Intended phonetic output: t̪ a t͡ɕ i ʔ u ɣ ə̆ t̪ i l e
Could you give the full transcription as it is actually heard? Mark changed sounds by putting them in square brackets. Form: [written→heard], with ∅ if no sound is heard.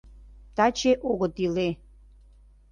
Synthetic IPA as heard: t̪ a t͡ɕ [i→e] ʔ [u→o] ɣ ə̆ t̪ i l e